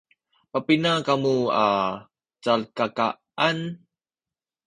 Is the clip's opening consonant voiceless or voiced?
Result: voiceless